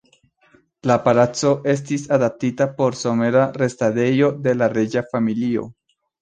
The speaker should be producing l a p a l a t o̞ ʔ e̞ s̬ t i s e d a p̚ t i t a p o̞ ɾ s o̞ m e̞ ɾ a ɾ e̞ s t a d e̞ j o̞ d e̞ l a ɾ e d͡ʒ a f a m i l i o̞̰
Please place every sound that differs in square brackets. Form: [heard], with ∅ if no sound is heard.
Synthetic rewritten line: l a p a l a [t͡s] o̞ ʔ e̞ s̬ t i s [a] d a p̚ t i t a p o̞ ɾ s o̞ m e̞ ɾ a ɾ e̞ s t a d e̞ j o̞ d e̞ l a ɾ e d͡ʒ a f a m i l i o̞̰